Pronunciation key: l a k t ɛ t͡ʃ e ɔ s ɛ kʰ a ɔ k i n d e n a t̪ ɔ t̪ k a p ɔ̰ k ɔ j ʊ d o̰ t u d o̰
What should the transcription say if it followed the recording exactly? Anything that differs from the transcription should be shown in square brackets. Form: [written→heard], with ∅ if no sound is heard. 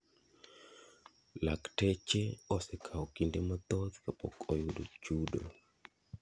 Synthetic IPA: l a k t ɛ t͡ʃ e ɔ s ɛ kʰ a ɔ k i n d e [n→m] a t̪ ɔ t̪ k a p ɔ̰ k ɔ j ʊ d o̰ [t→t͡ʃ] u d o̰

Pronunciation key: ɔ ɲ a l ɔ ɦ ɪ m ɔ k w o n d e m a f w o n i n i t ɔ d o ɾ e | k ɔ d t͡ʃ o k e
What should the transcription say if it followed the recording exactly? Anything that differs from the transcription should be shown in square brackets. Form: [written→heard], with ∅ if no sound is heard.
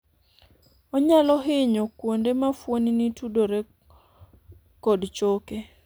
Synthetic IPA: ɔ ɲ a l ɔ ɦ ɪ [m→ɲ] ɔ k w o n d e m a f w o n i n i t [ɔ→u] d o ɾ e | k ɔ d t͡ʃ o k e

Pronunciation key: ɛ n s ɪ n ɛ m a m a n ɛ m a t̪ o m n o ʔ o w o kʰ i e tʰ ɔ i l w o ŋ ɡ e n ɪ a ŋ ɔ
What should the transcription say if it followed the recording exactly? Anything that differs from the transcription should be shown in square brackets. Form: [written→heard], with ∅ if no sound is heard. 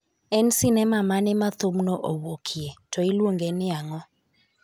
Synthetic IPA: ɛ n s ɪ n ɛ m a m a n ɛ m a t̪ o m n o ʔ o w o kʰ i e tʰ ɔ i l w o ŋ ɡ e n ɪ a ŋ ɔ

